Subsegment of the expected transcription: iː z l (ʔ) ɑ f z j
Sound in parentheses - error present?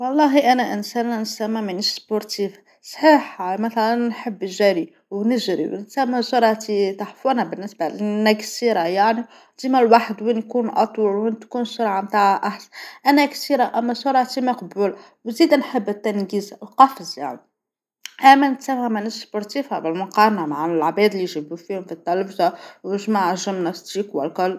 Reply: yes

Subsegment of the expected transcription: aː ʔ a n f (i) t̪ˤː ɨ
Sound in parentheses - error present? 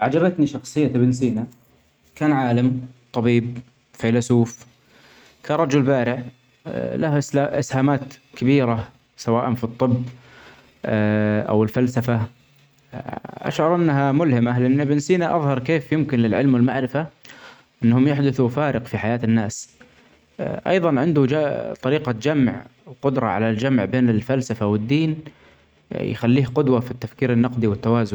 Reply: no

